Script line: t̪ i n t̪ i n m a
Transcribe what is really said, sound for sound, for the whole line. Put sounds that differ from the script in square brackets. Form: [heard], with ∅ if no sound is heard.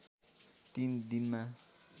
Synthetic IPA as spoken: t̪ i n [d̪] i n m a